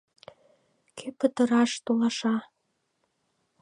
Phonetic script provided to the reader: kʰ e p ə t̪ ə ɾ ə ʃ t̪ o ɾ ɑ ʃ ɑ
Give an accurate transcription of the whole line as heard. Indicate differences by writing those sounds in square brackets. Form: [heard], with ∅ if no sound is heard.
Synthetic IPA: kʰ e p ə t̪ ə ɾ [ɑ] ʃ t̪ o [l] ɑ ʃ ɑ